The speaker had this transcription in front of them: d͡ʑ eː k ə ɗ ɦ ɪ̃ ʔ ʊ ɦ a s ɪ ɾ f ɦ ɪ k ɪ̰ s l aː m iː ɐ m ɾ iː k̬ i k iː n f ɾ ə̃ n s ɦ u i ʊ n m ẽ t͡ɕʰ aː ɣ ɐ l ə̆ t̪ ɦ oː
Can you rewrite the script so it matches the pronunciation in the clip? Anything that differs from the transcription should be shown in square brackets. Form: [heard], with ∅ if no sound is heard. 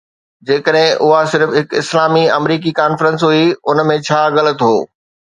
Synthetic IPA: d͡ʑ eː k ə ɗ ɦ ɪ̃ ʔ ʊ ɦ a s ɪ ɾ f ɦ ɪ k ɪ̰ s l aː m [i] ɐ m ɾ iː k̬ i k [aː] n f ɾ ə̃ n s ɦ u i ʊ n m ẽ t͡ɕʰ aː ɣ ɐ l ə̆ t̪ ɦ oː